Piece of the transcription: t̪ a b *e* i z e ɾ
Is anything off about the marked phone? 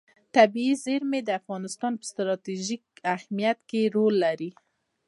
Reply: yes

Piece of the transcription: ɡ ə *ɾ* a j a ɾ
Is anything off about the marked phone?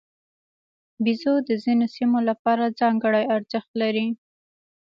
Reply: yes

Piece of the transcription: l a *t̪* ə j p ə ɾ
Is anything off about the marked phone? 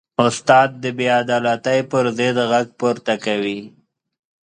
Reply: no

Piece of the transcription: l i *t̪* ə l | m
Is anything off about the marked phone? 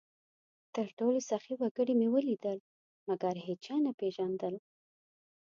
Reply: yes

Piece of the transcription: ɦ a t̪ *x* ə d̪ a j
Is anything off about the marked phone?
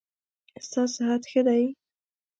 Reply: no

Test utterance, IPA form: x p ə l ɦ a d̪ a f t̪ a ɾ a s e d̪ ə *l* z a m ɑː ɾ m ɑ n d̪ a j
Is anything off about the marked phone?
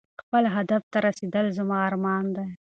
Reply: no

